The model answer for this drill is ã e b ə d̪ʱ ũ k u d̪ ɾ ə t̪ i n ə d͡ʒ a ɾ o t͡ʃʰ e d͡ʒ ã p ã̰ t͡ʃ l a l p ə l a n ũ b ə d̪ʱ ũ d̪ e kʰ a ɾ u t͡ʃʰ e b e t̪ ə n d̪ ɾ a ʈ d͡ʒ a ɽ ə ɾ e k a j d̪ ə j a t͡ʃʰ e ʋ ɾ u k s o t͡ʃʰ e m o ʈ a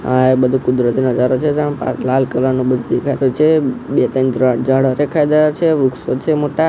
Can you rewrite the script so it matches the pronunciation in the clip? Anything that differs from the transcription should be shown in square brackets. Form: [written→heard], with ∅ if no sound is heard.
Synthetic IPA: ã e b ə d̪ʱ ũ k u d̪ ɾ ə t̪ i n ə d͡ʒ a ɾ o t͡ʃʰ e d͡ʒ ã p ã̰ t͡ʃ l a l [p→k] ə l a n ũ b ə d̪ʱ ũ d̪ e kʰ a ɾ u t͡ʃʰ e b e t̪ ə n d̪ ɾ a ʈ d͡ʒ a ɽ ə ɾ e [k→kʰ] a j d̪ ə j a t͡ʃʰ e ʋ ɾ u k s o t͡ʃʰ e m o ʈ a

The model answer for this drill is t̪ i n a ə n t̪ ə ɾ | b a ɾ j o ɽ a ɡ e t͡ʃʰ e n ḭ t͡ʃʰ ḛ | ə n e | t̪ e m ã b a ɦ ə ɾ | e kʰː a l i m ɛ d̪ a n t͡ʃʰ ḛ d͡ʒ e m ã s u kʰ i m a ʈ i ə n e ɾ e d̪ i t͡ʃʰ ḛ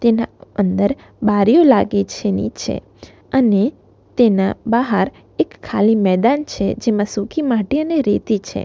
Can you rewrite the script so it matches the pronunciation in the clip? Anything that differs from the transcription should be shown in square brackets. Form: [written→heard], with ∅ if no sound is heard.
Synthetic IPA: t̪ [i→e] n a ə n [t̪→d̪] ə ɾ | b a ɾ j o [ɽ→l] a ɡ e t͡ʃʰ e n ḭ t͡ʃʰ ḛ | ə n e | t̪ e [m→n] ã b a ɦ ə ɾ | e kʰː a l i m ɛ d̪ a n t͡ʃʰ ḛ d͡ʒ e m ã s u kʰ i m a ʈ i ə n e ɾ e [d̪→t̪] i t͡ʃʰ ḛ

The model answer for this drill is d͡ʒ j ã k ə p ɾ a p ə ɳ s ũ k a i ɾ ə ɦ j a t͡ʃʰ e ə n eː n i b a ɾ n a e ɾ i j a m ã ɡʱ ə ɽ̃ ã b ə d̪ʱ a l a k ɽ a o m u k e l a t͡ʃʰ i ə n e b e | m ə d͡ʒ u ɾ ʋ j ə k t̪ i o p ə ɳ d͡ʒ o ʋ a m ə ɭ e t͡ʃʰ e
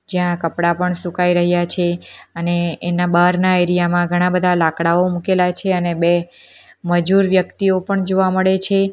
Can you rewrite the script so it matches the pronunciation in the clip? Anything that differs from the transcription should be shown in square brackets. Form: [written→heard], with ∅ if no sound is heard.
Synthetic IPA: d͡ʒ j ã k ə p [ɾ→ɽ] a p ə ɳ s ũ k a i ɾ ə ɦ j a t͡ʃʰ e ə n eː n [i→a] b a ɾ n a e ɾ i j a m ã ɡʱ ə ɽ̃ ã b ə d̪ʱ a l a k ɽ a o m u k e l a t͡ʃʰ [i→e] ə n e b e | m ə d͡ʒ u ɾ ʋ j ə k t̪ i o p ə ɳ d͡ʒ o ʋ a m ə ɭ e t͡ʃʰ e

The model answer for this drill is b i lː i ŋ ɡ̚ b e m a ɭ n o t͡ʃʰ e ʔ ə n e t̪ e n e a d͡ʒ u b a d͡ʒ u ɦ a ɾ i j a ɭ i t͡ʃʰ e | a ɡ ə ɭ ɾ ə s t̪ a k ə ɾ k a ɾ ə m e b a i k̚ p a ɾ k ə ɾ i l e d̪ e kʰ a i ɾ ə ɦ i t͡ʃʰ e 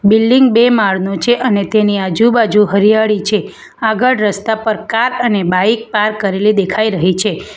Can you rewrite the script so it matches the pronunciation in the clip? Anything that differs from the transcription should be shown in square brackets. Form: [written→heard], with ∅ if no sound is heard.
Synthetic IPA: b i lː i ŋ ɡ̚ b e m a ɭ n o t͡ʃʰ e ʔ ə n e t̪ e n [e→i] a d͡ʒ u b a d͡ʒ u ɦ [a→ə] ɾ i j a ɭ i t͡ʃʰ e | a ɡ ə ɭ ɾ ə s t̪ a [k→p] ə ɾ k a ɾ ə [m→n] e b a i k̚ p a ɾ k ə ɾ [i→e] l [e→i] d̪ e kʰ a i ɾ ə ɦ i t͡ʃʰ e

